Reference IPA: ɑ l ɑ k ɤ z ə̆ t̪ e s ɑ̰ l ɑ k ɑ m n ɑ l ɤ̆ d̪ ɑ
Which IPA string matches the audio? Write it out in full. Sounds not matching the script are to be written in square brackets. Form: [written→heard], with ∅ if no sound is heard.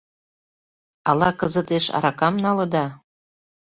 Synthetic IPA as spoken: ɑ l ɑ k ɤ z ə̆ t̪ e [s→ʃ] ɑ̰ [l→ɾ] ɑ k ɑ m n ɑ l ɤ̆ d̪ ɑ